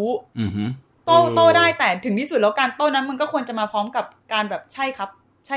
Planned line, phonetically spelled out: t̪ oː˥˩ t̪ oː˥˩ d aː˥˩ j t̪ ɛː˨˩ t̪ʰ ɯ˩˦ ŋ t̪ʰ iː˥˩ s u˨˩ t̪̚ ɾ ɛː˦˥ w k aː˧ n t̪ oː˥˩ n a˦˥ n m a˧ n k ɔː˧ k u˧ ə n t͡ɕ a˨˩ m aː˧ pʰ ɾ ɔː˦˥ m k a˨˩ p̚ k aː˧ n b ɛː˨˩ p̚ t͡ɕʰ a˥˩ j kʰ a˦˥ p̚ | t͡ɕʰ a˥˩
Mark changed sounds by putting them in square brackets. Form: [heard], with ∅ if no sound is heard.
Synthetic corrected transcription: t̪ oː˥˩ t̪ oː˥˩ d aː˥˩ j t̪ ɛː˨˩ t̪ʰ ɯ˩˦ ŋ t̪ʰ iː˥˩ s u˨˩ t̪̚ [l] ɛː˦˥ w k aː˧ n t̪ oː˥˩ n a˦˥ n m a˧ n k [ɔː˥˩] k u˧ ə n t͡ɕ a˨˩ m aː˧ pʰ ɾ ɔː˦˥ m k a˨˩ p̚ k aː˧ n b ɛː˨˩ p̚ t͡ɕʰ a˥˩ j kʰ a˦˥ p̚ | t͡ɕʰ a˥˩